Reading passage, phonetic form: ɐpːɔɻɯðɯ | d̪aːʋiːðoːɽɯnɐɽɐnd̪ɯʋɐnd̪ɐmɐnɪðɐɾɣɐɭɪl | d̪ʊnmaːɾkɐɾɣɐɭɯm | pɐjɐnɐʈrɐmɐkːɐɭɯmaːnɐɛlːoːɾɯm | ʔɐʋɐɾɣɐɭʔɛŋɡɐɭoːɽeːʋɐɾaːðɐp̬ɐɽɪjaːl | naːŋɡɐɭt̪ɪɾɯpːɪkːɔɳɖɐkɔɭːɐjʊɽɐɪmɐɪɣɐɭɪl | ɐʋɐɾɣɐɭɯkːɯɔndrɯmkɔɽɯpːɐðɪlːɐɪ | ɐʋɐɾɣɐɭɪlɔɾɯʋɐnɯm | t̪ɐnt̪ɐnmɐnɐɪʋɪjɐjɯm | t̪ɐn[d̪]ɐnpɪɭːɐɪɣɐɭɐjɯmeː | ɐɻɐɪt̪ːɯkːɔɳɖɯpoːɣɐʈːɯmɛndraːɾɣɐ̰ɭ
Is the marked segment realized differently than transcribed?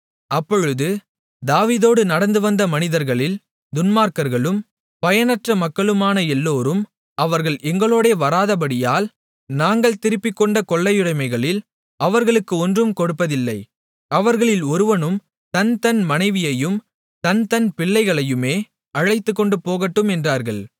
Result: yes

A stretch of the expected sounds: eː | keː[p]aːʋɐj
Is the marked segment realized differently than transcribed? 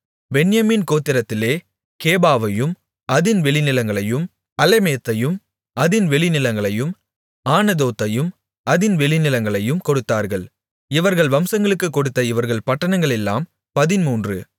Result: yes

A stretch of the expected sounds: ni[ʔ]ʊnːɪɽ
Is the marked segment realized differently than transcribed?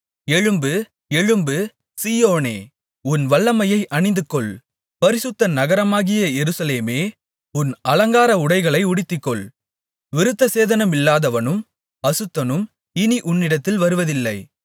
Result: no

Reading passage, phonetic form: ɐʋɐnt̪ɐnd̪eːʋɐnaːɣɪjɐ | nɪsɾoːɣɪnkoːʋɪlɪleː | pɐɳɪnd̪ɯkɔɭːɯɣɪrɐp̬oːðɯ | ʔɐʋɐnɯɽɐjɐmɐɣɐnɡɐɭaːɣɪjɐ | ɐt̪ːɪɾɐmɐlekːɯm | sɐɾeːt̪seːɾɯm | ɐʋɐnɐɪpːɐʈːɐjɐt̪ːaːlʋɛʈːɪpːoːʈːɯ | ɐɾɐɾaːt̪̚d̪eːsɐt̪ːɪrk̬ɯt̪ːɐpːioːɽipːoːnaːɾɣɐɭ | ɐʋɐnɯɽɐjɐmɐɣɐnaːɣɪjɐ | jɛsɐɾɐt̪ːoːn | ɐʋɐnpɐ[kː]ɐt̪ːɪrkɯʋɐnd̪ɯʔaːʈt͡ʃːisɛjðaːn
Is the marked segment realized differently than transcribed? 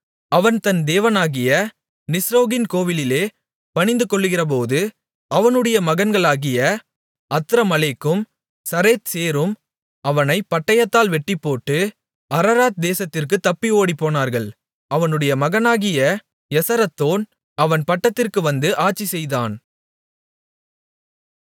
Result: yes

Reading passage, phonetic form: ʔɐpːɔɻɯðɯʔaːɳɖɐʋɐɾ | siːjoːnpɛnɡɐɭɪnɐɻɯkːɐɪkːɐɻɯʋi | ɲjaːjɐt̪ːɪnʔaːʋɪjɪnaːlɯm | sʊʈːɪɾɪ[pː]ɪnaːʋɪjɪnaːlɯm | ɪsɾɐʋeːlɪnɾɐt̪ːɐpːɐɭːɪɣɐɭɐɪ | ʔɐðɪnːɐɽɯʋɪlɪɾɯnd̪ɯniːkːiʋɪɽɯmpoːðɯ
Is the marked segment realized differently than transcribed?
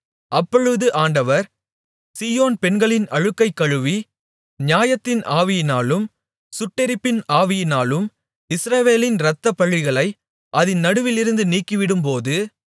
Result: no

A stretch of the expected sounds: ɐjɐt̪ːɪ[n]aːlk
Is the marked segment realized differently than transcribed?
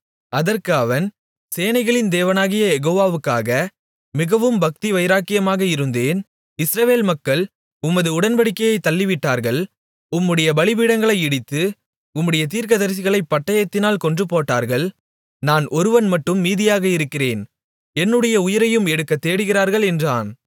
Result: no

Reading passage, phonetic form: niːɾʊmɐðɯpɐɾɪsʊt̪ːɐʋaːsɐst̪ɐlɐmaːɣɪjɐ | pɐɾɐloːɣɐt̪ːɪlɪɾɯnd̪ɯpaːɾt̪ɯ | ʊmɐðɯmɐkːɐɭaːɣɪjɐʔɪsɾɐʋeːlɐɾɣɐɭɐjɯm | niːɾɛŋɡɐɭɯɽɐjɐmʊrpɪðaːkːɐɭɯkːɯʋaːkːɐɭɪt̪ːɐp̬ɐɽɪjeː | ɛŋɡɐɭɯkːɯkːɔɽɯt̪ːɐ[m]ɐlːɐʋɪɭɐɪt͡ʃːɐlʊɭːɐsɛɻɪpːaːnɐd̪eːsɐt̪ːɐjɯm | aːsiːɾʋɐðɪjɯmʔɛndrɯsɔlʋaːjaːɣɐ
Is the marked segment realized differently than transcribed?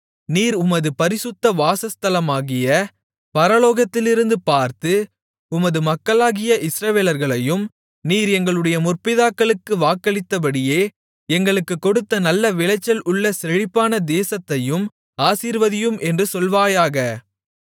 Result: yes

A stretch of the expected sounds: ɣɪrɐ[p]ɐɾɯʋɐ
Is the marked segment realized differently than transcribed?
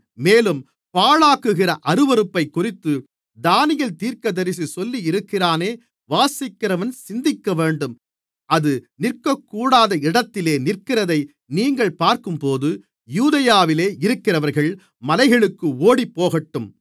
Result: yes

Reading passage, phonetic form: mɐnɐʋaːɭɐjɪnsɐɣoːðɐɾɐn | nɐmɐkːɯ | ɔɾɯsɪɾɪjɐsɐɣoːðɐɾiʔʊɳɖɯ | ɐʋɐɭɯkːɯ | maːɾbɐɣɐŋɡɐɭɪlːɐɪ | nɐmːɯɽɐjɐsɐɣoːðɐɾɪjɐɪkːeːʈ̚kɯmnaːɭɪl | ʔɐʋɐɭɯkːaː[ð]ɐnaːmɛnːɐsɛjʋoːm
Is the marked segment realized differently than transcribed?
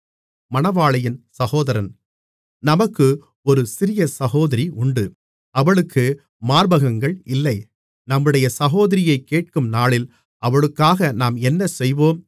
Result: yes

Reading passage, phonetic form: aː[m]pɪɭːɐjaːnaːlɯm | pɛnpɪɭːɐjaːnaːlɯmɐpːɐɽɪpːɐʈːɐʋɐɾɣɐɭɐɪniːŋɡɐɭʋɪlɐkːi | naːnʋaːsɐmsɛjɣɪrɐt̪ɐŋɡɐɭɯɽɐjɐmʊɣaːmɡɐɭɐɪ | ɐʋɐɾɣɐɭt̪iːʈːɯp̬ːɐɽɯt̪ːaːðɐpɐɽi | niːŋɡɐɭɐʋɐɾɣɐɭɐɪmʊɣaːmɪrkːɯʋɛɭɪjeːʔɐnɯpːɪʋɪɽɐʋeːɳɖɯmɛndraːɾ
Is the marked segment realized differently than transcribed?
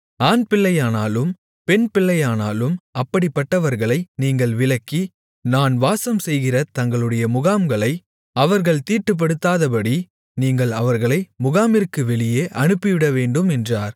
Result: yes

